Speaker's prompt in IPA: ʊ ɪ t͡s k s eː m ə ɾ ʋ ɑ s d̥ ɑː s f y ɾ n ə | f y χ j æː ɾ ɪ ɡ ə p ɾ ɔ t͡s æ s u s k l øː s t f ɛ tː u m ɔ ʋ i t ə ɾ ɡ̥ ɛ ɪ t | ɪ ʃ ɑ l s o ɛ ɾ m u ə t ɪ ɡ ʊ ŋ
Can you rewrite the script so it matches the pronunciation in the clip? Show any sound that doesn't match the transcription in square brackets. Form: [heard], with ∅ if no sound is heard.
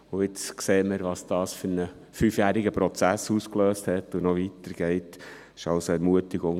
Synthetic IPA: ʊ ɪ t͡s k s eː m ə ɾ ʋ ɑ s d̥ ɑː s f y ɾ n ə | f y [f] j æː ɾ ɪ ɡ ə p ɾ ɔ t͡s æ s u s k l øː s t [h] ɛ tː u [n] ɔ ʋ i t ə ɾ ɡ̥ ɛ ɪ t | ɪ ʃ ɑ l s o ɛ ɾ m u ə t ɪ ɡ ʊ ŋ